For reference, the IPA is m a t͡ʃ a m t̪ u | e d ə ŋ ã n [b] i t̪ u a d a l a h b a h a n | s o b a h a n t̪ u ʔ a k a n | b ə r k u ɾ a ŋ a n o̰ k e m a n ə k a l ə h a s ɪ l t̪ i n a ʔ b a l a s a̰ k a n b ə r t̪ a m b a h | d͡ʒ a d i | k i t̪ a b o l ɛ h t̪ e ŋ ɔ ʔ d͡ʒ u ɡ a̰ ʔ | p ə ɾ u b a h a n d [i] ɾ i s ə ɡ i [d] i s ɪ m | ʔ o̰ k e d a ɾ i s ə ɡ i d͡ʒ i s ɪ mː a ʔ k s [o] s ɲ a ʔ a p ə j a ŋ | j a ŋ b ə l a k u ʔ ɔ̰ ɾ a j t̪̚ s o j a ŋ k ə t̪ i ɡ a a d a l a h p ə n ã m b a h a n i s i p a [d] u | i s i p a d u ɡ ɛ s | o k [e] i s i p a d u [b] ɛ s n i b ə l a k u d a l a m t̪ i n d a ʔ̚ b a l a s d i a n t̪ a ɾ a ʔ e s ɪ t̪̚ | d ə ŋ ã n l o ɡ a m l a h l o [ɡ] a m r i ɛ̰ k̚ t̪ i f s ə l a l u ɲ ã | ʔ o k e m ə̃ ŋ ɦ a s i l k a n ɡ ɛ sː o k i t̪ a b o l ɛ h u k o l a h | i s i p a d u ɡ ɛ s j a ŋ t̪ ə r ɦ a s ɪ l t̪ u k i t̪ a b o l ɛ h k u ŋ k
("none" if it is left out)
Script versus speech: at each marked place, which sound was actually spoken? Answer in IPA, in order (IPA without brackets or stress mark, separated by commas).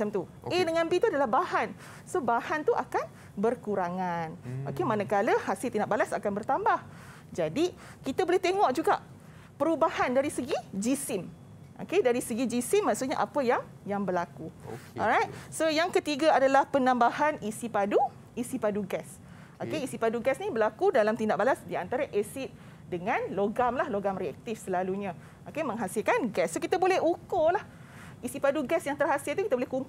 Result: b, a, d͡ʒ, u, d, e, ɡ, ɡ